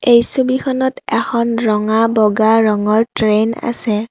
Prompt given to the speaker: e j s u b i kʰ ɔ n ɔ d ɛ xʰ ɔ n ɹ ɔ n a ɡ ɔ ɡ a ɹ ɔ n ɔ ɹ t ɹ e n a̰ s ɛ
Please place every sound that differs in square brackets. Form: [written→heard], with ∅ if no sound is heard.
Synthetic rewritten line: e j s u b i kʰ ɔ n ɔ [d→t] ɛ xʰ ɔ n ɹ ɔ [n→ŋ] a [ɡ→b] ɔ ɡ a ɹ ɔ [n→ŋ] ɔ ɹ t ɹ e n a̰ s ɛ

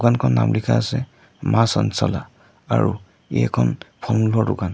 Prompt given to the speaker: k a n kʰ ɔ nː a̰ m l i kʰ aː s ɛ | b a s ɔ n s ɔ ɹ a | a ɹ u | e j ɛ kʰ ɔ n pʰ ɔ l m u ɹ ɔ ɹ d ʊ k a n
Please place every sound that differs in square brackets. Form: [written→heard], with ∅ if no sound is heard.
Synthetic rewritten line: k a n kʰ ɔ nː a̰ m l i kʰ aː s ɛ | [b→m] a s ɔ n s ɔ [ɹ→l] a | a ɹ u | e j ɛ kʰ ɔ n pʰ ɔ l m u [ɹ→l] ɔ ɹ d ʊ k a n

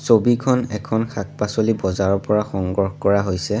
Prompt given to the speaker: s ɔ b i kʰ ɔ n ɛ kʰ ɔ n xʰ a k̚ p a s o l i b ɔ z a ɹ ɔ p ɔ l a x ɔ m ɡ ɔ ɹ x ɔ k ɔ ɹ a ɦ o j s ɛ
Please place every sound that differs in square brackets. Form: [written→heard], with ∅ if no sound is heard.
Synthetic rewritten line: s [ɔ→o] b i kʰ ɔ n ɛ kʰ ɔ n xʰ a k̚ p a s o l i b ɔ z a ɹ ɔ p ɔ [l→ɹ] a x ɔ [m→ŋ] ɡ ɔ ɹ x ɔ k ɔ ɹ a ɦ o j s ɛ

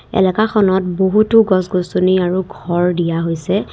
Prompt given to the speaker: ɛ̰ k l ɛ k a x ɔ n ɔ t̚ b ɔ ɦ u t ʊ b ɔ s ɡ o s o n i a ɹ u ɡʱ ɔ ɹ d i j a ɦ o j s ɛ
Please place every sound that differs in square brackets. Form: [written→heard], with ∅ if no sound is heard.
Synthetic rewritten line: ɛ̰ [k→∅] l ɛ k a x ɔ n ɔ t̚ b [ɔ→o] ɦ u t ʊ [b→ɡ] ɔ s ɡ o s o n i a ɹ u ɡʱ ɔ ɹ d i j a ɦ o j s ɛ

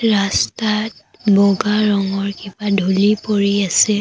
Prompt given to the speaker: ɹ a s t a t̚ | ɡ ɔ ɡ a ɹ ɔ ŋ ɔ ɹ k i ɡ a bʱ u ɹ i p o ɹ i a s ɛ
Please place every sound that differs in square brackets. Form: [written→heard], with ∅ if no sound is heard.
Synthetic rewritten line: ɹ a s t a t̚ | [ɡ→b] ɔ ɡ a ɹ ɔ ŋ ɔ ɹ k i [ɡ→b] a [bʱ→dʱ] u [ɹ→l] i p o ɹ i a s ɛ

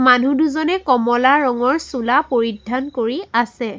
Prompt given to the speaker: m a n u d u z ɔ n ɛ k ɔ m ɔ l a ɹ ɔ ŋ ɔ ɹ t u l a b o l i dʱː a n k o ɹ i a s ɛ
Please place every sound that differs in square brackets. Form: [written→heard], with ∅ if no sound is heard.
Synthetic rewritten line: m a n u d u z ɔ n ɛ k ɔ m ɔ l a ɹ ɔ ŋ ɔ ɹ [t→s] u l a [b→p] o [l→ɹ] i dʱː a n k o ɹ i a s ɛ

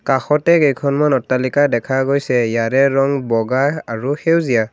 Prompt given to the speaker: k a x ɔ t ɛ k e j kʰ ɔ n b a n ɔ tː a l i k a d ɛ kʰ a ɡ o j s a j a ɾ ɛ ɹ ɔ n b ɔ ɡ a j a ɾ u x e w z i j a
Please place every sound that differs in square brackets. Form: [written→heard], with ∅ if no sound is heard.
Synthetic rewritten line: k a x ɔ t ɛ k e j kʰ ɔ n [b→m] a n ɔ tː a l i k a d ɛ kʰ a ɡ o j s [a→ɛ] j a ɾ ɛ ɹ ɔ [n→ŋ] b ɔ ɡ a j a [ɾ→ɹ] u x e w z i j a

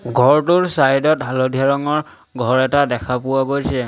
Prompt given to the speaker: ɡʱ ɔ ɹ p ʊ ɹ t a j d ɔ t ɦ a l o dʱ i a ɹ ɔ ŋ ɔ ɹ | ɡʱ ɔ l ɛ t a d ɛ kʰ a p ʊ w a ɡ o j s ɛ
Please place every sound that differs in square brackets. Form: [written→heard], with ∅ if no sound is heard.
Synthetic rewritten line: ɡʱ ɔ ɹ [p→t] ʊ ɹ [t→s] a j d ɔ t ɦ a l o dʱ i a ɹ ɔ ŋ ɔ ɹ | ɡʱ ɔ [l→ɹ] ɛ t a d ɛ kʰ a p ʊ w a ɡ o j s ɛ

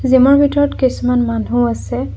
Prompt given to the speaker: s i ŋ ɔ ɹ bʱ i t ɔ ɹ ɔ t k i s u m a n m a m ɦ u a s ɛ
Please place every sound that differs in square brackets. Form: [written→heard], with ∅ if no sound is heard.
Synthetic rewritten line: [s→z] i [ŋ→m] ɔ ɹ bʱ i t ɔ ɹ ɔ t k i s u m a n m a [m→n] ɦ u a s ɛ

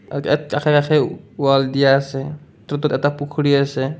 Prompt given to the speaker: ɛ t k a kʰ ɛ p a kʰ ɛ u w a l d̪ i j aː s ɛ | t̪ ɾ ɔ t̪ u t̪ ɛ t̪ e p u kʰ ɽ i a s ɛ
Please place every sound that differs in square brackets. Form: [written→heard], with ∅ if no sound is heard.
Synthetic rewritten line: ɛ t k a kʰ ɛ [p→k] a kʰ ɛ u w a l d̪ i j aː s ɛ | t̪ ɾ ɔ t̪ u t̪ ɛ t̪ [e→a] p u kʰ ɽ i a s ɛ

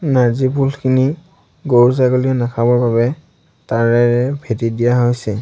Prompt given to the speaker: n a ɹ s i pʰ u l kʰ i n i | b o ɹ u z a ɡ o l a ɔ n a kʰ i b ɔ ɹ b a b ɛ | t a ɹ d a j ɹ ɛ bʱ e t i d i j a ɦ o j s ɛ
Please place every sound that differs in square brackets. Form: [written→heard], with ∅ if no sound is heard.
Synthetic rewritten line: n a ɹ [s→z] i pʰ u l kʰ i n i | [b→ɡ] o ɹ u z a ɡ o l [a→i] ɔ n a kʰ [i→a] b ɔ ɹ b a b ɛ | t a ɹ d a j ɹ ɛ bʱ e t i d i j a ɦ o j s ɛ

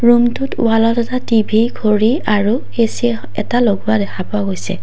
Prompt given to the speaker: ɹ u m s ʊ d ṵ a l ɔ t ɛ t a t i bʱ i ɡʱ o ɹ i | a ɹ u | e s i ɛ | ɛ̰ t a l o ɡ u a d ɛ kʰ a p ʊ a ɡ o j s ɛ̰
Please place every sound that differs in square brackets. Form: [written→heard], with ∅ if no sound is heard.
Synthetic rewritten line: ɹ u m [s→t] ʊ [d→t] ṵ a l ɔ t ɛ t a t i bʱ i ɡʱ o ɹ i | a ɹ u | e s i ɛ | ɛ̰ t a l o ɡ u a d ɛ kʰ a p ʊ a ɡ o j s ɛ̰

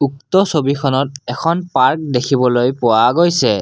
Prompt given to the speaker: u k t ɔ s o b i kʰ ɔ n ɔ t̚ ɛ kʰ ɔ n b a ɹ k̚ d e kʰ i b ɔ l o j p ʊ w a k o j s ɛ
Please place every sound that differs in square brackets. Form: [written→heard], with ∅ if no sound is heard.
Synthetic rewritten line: u k t ɔ s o b i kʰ ɔ n ɔ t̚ ɛ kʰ ɔ n [b→p] a ɹ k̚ d e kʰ i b ɔ l o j p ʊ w a [k→ɡ] o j s ɛ

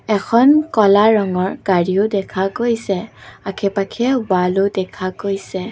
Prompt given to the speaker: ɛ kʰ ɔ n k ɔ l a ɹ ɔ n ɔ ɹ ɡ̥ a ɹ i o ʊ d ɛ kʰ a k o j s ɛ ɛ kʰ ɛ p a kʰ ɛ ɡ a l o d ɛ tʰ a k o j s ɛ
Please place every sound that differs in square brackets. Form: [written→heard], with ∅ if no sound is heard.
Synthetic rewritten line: ɛ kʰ ɔ n k ɔ l a ɹ ɔ [n→ŋ] ɔ ɹ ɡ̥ a ɹ i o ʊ d ɛ kʰ a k o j s ɛ [ɛ→a] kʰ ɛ p a kʰ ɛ [ɡ→b] a l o d ɛ [tʰ→kʰ] a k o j s ɛ

